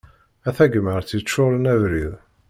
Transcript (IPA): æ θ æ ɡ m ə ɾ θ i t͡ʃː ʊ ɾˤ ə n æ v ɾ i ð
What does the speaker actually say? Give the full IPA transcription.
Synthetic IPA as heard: æ θ æ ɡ m ə ɾ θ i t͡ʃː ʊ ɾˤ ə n æ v ɾ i ð